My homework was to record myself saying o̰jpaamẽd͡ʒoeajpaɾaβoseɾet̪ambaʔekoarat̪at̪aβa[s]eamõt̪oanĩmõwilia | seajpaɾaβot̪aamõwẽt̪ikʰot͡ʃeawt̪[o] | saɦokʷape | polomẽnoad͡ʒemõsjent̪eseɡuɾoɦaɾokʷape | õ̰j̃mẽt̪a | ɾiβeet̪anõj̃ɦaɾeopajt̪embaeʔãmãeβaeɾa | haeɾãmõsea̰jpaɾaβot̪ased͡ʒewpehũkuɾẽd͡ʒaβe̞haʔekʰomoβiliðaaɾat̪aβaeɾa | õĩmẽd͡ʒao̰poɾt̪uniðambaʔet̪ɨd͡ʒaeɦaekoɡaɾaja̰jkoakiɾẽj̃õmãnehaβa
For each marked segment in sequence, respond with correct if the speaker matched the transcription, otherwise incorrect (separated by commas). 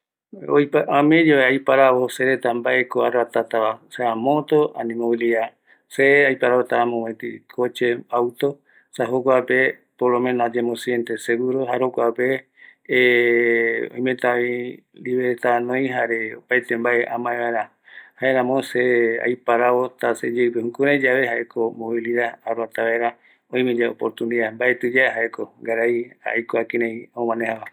correct, correct